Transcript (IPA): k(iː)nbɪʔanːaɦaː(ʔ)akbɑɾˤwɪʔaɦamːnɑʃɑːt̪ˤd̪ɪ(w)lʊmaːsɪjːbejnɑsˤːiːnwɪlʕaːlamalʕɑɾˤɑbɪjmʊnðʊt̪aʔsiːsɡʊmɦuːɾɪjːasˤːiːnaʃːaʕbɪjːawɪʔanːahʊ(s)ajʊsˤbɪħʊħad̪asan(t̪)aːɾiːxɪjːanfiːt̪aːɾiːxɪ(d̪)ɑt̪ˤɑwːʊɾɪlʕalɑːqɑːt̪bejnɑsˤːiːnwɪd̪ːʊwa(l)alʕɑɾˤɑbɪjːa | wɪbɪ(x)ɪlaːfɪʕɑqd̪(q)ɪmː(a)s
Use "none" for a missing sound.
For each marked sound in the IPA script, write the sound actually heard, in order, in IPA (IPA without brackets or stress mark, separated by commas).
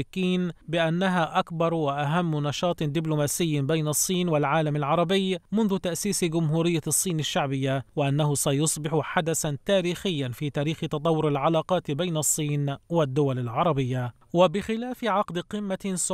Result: iː, ʔ, b, s, t̪, t̪, l, x, q, a